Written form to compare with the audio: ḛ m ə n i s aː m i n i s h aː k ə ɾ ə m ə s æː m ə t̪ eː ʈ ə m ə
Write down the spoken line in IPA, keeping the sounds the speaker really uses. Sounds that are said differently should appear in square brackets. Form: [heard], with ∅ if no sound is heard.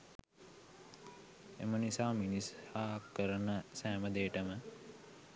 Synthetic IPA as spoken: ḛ m ə n i s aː m i n i s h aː k ə ɾ ə [n] ə s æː m ə [d̪] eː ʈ ə m ə